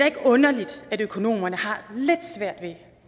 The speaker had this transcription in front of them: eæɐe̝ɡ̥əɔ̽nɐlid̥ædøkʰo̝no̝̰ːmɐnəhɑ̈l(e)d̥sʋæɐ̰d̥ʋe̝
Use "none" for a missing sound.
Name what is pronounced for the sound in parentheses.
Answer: e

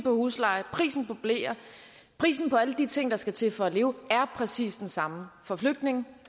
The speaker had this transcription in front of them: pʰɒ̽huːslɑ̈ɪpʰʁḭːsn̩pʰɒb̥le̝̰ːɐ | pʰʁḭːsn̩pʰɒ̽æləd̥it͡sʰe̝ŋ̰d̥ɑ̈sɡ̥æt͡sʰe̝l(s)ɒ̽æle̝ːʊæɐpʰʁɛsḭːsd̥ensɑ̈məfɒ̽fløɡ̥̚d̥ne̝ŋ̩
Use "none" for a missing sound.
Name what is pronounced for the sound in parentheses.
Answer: f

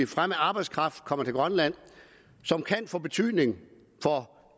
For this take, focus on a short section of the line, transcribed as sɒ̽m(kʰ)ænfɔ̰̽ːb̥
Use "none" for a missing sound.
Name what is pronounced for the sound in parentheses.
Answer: kʰ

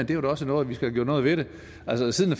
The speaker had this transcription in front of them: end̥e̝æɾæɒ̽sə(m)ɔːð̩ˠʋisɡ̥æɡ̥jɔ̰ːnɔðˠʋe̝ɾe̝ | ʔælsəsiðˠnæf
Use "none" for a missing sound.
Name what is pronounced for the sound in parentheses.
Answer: n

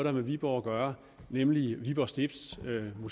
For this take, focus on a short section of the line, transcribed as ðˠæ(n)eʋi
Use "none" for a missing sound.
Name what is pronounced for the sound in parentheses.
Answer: m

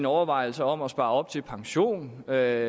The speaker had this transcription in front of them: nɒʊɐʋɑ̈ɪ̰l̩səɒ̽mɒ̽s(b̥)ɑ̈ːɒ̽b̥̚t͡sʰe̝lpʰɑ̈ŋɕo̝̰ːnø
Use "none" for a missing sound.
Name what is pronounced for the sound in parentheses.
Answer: b̥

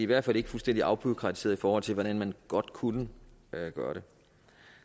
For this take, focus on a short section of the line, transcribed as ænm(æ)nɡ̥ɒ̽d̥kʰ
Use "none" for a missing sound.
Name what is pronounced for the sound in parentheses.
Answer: æ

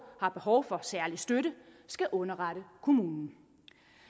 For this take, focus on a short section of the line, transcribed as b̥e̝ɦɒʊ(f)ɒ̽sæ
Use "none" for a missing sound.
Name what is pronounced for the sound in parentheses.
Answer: f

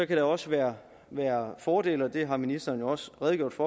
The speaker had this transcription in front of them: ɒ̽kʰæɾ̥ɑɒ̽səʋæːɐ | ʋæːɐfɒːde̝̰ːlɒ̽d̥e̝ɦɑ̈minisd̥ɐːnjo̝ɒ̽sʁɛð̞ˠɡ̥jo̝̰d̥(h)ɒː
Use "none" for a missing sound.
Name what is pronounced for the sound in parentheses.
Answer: f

